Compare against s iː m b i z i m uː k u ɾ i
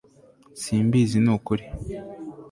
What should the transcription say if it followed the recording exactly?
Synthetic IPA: s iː m b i z i n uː k u ɾ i